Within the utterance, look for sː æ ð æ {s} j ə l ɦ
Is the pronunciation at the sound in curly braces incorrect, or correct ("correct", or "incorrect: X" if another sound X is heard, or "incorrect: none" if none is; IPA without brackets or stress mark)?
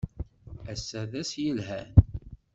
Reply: correct